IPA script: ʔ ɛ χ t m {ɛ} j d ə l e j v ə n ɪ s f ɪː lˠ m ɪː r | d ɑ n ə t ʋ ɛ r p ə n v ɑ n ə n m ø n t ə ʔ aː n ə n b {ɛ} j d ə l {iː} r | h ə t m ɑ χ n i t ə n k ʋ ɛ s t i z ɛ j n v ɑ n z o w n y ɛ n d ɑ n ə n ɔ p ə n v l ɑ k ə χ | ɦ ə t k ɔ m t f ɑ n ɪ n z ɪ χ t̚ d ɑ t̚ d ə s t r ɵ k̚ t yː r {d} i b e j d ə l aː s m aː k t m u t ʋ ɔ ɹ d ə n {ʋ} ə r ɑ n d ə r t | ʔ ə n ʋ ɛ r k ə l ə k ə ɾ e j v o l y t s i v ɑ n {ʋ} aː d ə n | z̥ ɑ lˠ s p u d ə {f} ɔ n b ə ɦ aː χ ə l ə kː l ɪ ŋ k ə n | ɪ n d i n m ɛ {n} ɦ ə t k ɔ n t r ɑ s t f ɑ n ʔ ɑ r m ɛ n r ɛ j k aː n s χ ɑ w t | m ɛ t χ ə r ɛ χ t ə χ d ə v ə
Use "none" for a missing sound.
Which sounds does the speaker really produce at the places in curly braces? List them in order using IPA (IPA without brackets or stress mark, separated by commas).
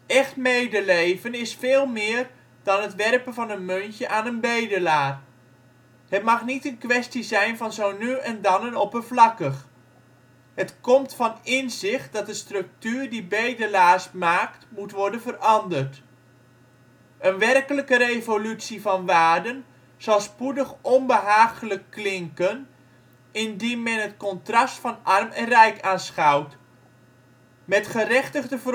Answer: e, e, aː, d, v, ʋ, χ, n